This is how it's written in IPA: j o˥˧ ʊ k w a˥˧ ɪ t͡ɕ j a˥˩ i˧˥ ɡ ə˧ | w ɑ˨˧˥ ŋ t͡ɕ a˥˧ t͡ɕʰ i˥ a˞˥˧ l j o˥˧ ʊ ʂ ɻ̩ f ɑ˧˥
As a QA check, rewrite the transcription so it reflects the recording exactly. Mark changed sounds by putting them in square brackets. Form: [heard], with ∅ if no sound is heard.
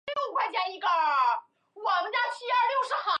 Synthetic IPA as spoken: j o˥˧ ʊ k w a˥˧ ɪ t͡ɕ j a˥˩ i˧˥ ɡ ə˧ | w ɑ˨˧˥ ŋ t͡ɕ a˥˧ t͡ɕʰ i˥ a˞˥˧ l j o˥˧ ʊ ʂ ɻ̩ [x] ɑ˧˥